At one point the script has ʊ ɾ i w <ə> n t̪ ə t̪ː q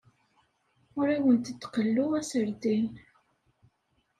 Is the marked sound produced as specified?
yes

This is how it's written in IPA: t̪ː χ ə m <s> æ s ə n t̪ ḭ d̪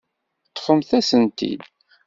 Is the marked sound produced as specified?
no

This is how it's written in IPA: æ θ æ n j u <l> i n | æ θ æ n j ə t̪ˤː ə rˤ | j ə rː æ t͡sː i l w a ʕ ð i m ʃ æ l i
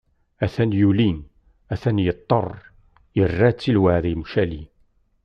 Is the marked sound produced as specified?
yes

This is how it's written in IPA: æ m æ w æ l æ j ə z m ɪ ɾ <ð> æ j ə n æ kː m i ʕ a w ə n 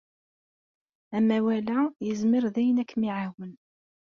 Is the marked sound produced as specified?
yes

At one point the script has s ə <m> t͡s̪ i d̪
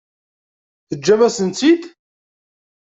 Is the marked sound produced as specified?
no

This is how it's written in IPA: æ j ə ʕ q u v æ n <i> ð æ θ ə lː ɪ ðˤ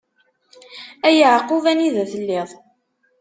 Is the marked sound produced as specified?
yes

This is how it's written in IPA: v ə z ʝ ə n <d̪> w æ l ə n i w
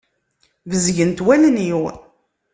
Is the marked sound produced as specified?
no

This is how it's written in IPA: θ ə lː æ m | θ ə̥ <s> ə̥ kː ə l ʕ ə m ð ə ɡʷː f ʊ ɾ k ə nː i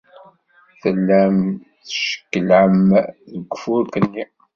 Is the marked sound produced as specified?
no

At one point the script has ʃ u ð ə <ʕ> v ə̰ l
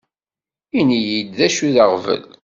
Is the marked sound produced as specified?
no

